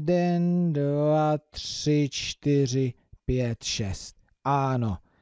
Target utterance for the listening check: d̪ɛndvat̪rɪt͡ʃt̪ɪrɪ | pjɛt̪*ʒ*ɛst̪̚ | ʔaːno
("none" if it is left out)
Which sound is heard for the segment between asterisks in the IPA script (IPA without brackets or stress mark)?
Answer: ʃ